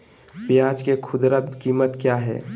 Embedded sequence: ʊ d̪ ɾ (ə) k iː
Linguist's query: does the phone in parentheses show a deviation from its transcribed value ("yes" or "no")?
yes